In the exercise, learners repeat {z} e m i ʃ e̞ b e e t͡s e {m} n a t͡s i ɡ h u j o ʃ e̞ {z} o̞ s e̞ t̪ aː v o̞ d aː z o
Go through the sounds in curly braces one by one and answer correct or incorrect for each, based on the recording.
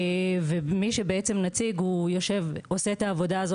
incorrect: v, correct, incorrect: v

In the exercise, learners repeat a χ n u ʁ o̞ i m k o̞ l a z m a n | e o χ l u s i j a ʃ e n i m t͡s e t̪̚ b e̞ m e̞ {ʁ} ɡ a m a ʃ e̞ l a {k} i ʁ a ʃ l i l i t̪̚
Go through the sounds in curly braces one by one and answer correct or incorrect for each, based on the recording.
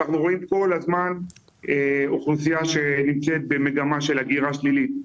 incorrect: none, incorrect: ɡ

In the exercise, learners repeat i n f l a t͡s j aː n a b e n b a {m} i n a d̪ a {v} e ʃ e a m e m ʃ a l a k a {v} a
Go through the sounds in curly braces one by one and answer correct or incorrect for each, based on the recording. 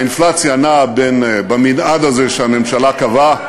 correct, incorrect: z, correct

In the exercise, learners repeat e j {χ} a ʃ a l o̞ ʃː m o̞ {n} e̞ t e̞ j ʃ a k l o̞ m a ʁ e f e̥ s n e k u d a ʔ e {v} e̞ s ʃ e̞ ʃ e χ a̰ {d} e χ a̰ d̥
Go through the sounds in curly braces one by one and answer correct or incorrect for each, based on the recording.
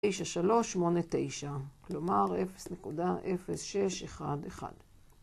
incorrect: ʃ, correct, incorrect: f, correct

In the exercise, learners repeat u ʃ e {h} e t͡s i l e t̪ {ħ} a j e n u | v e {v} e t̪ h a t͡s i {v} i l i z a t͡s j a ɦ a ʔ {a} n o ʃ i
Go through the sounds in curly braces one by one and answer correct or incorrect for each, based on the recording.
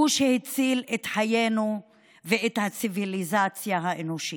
correct, correct, incorrect: none, correct, incorrect: e

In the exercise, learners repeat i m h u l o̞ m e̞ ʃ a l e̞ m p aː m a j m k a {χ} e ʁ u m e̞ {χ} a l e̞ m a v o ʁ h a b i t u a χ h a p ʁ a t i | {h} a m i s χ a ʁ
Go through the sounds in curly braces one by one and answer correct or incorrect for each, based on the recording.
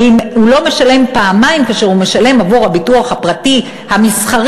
incorrect: ʃ, incorrect: ʃ, correct

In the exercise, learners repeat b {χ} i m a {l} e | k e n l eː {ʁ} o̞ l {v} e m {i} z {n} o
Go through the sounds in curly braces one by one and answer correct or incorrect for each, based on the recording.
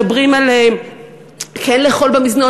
incorrect: ʁ, correct, incorrect: χ, incorrect: b, correct, correct

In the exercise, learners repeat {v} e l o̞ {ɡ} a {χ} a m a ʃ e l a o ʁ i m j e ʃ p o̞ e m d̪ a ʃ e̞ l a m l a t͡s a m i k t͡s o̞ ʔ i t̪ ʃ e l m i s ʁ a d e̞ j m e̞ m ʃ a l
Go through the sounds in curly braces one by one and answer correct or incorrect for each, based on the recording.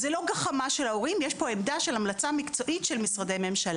incorrect: z, correct, correct

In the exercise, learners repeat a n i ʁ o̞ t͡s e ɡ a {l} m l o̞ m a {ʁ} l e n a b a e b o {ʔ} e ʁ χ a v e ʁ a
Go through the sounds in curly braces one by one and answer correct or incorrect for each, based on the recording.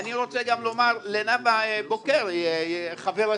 incorrect: none, correct, incorrect: k

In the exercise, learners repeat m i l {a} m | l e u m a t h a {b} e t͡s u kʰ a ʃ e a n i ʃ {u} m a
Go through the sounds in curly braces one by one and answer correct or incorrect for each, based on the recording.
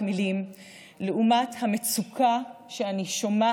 incorrect: i, incorrect: m, incorrect: o

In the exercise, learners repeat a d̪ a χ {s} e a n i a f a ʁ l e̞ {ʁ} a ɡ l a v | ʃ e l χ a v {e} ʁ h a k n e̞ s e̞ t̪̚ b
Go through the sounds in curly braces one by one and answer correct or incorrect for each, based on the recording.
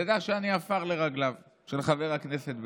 incorrect: ʃ, correct, correct

